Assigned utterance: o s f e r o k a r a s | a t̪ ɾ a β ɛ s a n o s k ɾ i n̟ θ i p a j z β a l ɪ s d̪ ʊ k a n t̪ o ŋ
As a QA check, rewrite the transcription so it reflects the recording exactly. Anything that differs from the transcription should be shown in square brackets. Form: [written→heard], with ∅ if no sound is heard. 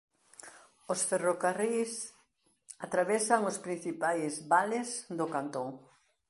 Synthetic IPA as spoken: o s f e r o k a r [a→i] s | a t̪ ɾ a β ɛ s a [n→ŋ] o s [k→p] ɾ i n̟ θ i p a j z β a l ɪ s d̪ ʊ k a n t̪ o ŋ